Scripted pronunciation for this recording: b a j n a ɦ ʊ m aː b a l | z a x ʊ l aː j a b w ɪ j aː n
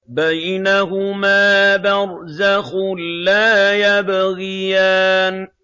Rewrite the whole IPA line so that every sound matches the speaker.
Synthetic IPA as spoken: b a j n a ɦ ʊ m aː b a ɾ | z a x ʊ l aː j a b ɣ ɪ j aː n